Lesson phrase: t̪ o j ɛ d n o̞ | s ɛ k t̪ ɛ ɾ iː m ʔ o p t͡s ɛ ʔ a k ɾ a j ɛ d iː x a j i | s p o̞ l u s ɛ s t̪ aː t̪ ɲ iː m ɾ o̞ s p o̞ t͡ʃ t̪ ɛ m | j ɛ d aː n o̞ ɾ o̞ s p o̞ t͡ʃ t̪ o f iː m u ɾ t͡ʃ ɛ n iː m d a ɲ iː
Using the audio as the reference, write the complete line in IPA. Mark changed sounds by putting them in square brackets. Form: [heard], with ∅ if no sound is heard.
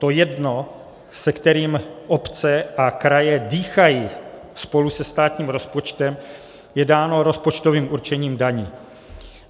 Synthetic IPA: t̪ o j ɛ d n o̞ | s ɛ k t̪ ɛ ɾ iː m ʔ o p t͡s ɛ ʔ a k ɾ a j ɛ d iː x a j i | s p o̞ l u s ɛ s t̪ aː t̪ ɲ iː m ɾ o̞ s p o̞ t͡ʃ t̪ ɛ m | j ɛ d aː n o̞ ɾ o̞ s p o̞ t͡ʃ t̪ o [v] iː m u ɾ t͡ʃ ɛ [ɲ] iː m d a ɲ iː